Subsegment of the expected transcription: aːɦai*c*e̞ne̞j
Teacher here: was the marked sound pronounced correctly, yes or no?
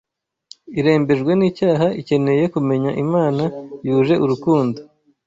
yes